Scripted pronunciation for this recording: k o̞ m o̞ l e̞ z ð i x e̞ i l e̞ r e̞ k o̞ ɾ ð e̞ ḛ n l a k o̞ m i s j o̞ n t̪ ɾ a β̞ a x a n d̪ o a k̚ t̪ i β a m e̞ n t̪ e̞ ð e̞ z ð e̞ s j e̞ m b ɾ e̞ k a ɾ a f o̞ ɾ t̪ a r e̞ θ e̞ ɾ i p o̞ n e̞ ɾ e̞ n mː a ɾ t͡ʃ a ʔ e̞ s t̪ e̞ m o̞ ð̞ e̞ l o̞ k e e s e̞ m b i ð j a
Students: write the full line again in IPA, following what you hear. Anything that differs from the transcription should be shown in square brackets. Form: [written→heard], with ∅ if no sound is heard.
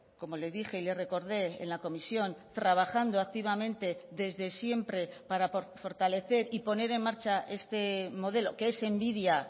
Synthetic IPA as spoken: k o̞ m o̞ l e̞ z ð i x e̞ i l e̞ r e̞ k o̞ ɾ ð e̞ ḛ n l a k o̞ m i s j o̞ n t̪ ɾ a β̞ a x a n d̪ o a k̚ t̪ i β a m [e̞→ẽ̞] n t̪ e̞ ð e̞ z ð e̞ s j e̞ m [b→p] ɾ e̞ [k→p] a ɾ a f o̞ ɾ t̪ a [r→l] e̞ θ e̞ ɾ i p o̞ n e̞ ɾ e̞ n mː a ɾ t͡ʃ a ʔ e̞ s t̪ e̞ m o̞ ð̞ e̞ l o̞ k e e s e̞ m b i ð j a